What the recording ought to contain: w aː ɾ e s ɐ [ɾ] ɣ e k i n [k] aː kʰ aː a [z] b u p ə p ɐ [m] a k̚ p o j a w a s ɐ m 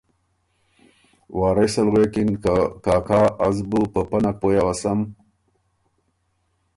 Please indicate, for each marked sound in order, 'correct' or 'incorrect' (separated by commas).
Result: incorrect, correct, correct, incorrect